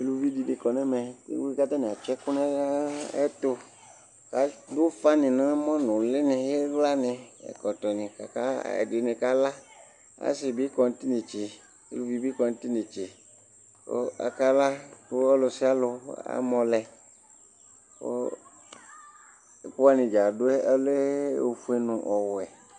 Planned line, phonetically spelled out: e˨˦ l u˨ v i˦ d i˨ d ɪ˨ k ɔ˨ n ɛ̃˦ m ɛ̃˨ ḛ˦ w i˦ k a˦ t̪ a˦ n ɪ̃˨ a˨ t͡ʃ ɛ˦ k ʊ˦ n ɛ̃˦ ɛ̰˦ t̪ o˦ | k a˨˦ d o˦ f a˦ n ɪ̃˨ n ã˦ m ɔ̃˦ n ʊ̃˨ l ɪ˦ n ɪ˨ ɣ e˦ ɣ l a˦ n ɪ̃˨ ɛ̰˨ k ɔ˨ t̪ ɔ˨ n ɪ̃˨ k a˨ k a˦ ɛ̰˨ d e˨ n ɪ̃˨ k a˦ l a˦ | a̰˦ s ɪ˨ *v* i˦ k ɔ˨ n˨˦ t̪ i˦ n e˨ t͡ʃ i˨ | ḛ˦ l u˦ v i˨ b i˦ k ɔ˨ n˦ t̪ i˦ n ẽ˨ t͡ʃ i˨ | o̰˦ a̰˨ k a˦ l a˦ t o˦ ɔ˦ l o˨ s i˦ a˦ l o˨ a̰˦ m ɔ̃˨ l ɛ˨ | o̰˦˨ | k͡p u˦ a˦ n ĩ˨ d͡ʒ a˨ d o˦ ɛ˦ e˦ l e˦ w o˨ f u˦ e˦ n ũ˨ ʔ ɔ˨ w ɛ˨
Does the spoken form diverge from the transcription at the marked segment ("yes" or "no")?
yes